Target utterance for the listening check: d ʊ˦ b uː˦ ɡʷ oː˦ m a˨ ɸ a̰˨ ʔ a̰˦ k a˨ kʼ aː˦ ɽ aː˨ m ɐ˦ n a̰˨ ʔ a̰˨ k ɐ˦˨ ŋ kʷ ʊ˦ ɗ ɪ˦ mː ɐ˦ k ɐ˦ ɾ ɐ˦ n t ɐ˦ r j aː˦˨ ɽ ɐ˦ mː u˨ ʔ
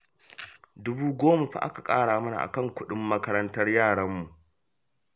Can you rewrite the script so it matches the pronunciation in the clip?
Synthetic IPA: d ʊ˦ b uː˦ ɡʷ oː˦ m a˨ ɸ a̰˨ ʔ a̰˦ k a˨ kʼ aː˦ ɽ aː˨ m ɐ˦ n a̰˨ ʔ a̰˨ k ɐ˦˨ ŋ kʷ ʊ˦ ɗ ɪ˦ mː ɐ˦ k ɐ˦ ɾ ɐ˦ n t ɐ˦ r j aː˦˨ ɽ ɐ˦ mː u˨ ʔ